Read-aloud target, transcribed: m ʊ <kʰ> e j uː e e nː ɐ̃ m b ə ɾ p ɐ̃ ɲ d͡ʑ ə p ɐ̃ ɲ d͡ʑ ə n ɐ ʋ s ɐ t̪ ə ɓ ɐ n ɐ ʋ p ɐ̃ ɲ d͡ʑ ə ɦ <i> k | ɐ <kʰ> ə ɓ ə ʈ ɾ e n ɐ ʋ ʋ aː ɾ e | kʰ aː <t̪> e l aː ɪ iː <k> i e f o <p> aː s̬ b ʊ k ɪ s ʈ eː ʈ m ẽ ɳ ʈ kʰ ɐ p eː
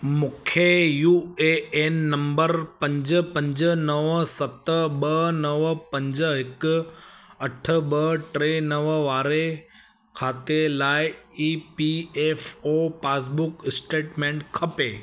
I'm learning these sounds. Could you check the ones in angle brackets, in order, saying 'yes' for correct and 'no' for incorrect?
yes, no, no, yes, no, yes

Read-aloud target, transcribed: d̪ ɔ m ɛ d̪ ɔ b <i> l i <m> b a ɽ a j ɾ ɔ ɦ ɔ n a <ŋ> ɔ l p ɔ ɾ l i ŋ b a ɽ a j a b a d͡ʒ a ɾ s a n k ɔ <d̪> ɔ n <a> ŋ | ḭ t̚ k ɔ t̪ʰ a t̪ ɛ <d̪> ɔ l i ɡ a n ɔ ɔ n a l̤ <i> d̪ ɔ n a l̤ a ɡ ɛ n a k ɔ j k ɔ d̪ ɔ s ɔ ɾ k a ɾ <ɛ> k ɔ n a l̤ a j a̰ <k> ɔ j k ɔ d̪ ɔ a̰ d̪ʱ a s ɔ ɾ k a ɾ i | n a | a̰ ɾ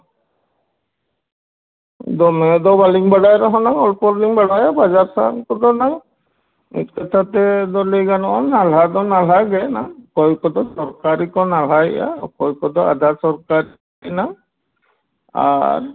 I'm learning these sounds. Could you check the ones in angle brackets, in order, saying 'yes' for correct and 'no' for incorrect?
no, no, yes, yes, yes, yes, no, no, yes

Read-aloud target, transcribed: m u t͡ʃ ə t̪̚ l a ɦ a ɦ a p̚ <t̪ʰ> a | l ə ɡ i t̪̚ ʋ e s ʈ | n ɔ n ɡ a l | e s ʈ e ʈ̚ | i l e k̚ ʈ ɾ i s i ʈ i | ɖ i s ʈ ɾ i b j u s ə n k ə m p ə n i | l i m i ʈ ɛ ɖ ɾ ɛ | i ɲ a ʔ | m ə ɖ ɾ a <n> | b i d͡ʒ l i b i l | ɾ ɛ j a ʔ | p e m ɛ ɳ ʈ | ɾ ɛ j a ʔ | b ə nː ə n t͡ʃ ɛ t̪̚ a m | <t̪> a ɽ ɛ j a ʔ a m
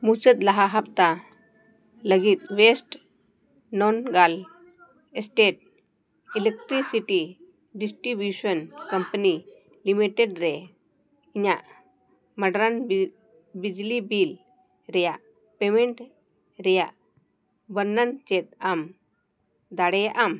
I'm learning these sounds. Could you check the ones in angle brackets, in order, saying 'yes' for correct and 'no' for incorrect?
no, yes, no

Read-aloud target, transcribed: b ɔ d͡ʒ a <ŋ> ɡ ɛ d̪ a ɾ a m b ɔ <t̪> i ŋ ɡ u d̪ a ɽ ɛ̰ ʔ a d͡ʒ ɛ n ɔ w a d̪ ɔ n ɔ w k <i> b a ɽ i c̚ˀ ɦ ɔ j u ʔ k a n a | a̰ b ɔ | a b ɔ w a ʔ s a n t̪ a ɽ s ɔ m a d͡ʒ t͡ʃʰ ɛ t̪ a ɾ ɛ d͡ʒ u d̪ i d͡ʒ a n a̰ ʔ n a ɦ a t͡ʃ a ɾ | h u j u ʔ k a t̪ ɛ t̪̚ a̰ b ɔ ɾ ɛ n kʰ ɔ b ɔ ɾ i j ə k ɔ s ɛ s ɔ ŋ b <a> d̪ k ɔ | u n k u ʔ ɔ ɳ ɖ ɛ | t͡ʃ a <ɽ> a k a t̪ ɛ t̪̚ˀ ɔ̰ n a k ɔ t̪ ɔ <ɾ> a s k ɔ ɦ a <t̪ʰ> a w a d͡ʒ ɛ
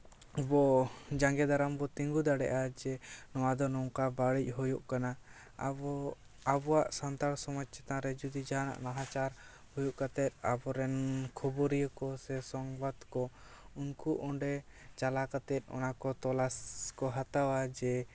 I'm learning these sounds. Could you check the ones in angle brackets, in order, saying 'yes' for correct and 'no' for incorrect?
yes, yes, no, yes, no, no, no

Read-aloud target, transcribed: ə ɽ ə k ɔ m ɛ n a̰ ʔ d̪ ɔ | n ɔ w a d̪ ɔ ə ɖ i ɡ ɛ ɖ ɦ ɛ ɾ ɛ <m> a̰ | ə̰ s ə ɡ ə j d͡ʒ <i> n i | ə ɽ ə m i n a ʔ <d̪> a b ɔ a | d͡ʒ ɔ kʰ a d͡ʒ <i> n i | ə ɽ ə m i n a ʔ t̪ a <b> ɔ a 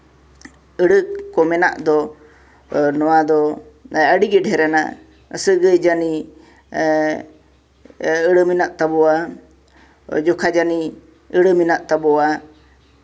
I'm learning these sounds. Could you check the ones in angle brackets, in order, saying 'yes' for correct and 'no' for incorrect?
no, no, no, no, yes

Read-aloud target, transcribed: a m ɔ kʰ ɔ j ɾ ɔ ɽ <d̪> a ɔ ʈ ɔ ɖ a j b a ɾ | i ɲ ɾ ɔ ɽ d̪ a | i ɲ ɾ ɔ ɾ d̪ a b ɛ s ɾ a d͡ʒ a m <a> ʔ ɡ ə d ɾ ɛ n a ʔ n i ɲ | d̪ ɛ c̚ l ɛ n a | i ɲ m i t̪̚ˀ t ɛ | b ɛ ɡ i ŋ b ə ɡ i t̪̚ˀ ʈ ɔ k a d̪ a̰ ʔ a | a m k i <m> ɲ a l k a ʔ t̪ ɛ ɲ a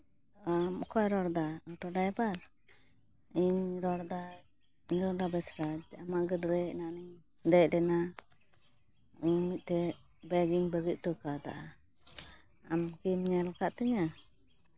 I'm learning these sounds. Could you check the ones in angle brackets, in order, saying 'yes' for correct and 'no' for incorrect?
yes, yes, yes

